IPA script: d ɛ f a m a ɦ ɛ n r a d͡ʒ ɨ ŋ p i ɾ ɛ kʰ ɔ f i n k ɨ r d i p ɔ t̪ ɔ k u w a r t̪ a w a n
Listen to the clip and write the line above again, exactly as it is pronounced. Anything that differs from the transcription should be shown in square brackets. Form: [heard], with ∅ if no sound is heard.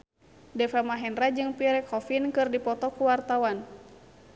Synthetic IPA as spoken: d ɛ f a m a ɦ ɛ n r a d͡ʒ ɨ ŋ p i ɾ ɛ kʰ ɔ f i n k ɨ r d i p ɔ t̪ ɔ k u w a r t̪ a w a n